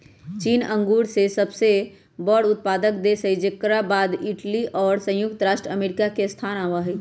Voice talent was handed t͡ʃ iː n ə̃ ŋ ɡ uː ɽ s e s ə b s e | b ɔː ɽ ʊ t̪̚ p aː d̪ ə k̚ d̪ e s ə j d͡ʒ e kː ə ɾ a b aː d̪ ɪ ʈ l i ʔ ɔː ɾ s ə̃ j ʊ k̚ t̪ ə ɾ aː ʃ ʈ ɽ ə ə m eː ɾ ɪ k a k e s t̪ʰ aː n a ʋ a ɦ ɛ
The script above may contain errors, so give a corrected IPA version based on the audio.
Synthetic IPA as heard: t͡ʃ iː n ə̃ ŋ ɡ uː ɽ s e s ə b s e | b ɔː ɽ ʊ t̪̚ p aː d̪ ə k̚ d̪ e s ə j d͡ʒ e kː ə ɾ a b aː d̪ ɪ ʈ l i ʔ ɔː ɾ s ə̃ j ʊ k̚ t̪ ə ɾ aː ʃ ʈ ɾ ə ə m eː ɾ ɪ k a k e s t̪ʰ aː n a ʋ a ɦ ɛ